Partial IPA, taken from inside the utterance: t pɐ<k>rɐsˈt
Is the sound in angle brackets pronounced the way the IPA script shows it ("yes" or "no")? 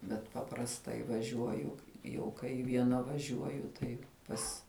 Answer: no